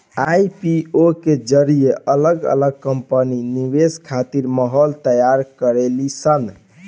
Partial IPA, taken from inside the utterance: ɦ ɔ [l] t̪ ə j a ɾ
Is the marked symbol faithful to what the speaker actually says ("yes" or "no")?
yes